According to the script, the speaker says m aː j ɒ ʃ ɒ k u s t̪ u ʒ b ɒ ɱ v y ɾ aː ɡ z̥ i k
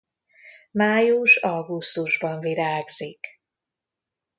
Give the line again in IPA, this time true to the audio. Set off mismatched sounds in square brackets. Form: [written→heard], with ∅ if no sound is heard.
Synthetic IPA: m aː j [ɒ→u] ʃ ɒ [k→ɡ] u s t̪ u ʒ b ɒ ɱ v [y→i] ɾ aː ɡ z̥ i k

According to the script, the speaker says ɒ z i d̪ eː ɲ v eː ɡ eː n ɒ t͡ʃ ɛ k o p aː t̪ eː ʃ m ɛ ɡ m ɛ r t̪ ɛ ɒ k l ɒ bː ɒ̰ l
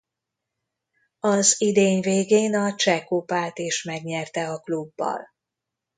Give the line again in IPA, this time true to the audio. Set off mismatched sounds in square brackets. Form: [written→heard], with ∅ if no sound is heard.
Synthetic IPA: ɒ z i d̪ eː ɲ v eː ɡ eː n ɒ t͡ʃ ɛ k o p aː t̪ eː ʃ m ɛ ɡ [m→ɲ] ɛ r t̪ ɛ ɒ k l [ɒ→u] bː ɒ̰ l

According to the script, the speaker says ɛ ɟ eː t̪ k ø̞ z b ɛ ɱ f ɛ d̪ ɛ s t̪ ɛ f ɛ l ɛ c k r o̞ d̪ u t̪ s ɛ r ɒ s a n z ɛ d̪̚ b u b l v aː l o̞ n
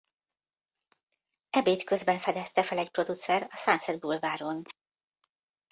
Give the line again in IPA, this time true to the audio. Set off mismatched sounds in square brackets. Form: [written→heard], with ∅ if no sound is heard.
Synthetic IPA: ɛ [ɟ→b] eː t̪ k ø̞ z b ɛ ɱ f ɛ d̪ ɛ s t̪ ɛ f ɛ l ɛ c [k→p] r o̞ d̪ u t̪ s ɛ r ɒ s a n [z→s] ɛ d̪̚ b u [b→∅] l v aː [l→ɾ] o̞ n

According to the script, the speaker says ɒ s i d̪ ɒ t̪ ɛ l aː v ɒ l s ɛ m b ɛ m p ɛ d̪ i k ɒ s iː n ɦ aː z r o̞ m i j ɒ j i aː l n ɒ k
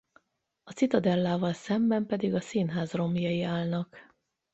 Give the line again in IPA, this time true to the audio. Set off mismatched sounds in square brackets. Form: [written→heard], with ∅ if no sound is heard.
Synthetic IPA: ɒ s i [d̪→t̪] ɒ [t̪→d̪] ɛ [l→lː] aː v ɒ l s ɛ m b ɛ m p ɛ d̪ i [k→ɡ] ɒ s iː n ɦ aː z r o̞ m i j ɒ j i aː l n ɒ k

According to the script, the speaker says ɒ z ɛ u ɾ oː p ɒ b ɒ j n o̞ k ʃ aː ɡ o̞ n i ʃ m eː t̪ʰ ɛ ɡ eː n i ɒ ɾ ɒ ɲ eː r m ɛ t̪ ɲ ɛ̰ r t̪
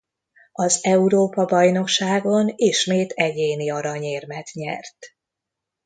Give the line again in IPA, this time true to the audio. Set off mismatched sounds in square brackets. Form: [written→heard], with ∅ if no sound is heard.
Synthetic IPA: ɒ z ɛ u ɾ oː p ɒ b ɒ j n o̞ k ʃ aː ɡ o̞ n i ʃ m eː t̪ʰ ɛ [ɡ→ɟ] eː n i ɒ ɾ ɒ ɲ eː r m ɛ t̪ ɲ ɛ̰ r t̪

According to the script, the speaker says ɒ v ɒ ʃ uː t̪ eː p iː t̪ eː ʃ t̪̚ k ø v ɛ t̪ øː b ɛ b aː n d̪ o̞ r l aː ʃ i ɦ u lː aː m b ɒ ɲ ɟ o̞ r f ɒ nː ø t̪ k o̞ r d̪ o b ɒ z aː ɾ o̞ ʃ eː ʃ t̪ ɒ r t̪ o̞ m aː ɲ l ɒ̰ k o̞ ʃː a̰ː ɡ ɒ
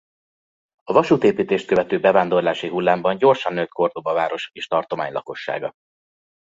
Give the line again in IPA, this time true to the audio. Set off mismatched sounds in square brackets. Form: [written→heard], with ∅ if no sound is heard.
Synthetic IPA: ɒ v ɒ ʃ uː t̪ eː p iː t̪ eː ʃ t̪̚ k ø v ɛ t̪ øː b ɛ [b→v] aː n d̪ o̞ r l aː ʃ i ɦ u lː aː m b ɒ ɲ ɟ o̞ r [f→ʃ] ɒ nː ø t̪ k o̞ r d̪ o b ɒ [z→v] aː ɾ o̞ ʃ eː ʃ t̪ ɒ r t̪ o̞ m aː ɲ l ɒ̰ k o̞ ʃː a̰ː ɡ ɒ

